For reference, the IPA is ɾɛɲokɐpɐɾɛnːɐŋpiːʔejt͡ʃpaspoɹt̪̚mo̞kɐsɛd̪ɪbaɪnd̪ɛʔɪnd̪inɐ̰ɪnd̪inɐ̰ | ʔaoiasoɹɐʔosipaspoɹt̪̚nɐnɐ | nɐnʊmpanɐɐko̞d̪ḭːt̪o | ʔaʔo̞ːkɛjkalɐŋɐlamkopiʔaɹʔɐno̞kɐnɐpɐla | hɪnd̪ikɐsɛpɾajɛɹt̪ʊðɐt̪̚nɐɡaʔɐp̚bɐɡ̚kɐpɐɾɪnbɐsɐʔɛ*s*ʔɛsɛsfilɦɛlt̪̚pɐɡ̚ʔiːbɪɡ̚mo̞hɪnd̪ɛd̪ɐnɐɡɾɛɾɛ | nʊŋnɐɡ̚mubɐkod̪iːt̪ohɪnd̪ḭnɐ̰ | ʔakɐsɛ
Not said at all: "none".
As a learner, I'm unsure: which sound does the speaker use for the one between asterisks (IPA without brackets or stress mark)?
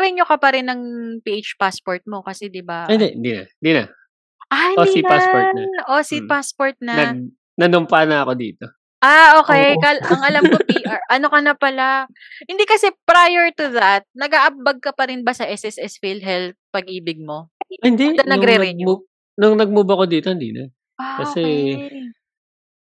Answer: s